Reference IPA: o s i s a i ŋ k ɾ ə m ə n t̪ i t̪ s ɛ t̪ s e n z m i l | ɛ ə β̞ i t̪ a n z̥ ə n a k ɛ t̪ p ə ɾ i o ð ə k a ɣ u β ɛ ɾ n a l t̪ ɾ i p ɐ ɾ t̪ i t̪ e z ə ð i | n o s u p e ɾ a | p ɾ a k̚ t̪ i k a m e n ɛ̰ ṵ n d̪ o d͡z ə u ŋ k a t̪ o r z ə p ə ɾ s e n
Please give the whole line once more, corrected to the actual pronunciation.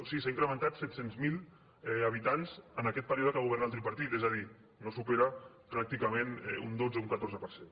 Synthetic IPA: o s i s a i ŋ k ɾ ə m ə n t̪ a t̪ s ɛ t̪ s e n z m i l | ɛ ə β̞ i t̪ a n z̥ ə n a k ɛ t̪ p ə ɾ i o ð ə k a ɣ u β ɛ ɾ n a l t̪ ɾ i p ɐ ɾ t̪ i t̪ e z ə ð i | n o s u p e ɾ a | p ɾ a k̚ t̪ i k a m e n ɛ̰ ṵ n d̪ o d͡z ə u ŋ k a t̪ o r z ə p ə ɾ s e n